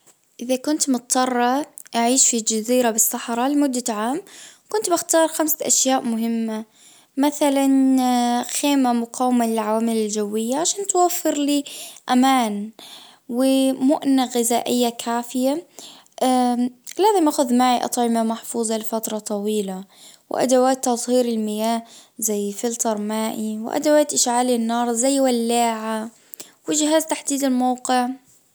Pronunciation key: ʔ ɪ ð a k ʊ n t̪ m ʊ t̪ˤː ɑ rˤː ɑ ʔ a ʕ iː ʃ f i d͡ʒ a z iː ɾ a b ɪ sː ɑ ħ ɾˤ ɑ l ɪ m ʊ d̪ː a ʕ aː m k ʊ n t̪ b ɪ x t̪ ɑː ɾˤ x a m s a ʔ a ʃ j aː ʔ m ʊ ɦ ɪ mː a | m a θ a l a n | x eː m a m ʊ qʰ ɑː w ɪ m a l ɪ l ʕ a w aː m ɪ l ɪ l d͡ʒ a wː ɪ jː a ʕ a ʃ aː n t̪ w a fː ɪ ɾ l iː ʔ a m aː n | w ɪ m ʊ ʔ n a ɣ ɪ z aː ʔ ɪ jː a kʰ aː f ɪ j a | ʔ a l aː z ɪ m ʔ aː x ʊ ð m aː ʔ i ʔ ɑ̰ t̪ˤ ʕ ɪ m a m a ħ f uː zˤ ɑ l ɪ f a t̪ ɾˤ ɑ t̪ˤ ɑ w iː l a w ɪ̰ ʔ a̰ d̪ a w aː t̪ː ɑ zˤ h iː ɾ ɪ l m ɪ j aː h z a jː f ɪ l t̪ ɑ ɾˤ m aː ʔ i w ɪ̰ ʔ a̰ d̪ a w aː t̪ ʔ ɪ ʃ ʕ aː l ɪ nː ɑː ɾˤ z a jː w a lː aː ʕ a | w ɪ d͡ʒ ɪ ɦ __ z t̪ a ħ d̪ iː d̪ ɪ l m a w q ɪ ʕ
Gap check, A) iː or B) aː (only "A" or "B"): B